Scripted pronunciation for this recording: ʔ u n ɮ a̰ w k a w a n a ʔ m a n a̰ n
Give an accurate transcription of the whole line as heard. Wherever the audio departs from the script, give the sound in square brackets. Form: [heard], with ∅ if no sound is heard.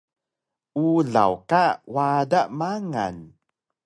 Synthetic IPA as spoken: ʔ u [∅] ɮ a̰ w k a w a [d] a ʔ m a [ŋ] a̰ n